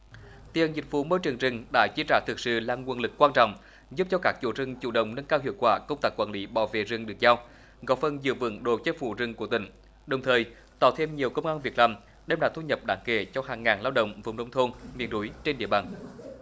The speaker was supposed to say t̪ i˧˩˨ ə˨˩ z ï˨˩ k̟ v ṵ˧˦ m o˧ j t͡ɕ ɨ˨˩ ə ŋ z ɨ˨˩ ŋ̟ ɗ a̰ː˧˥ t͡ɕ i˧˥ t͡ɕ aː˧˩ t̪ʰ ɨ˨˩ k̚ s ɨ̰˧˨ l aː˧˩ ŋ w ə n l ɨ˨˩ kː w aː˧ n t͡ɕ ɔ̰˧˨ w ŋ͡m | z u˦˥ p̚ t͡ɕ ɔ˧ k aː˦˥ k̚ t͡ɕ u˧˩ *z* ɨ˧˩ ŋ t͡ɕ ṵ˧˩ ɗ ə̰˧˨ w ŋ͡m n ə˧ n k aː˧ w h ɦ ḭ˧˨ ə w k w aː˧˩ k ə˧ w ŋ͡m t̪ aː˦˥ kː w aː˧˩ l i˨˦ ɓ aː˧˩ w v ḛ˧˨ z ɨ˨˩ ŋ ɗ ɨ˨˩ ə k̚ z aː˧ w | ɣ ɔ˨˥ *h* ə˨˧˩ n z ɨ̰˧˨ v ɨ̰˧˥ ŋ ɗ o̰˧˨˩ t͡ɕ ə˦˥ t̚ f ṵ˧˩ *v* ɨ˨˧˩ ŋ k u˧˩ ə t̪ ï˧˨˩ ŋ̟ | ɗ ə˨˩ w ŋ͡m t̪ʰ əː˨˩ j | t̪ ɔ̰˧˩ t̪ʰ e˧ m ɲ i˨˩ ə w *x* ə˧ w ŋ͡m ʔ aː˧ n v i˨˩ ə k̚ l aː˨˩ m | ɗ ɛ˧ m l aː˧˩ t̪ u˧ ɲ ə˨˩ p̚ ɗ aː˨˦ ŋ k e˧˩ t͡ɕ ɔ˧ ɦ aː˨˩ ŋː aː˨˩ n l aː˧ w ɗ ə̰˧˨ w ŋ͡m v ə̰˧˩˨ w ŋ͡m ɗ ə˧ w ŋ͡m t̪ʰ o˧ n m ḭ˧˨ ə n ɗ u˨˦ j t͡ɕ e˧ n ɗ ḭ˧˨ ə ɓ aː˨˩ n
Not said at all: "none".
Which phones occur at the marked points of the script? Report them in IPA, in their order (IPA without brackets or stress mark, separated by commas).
z, f, z, k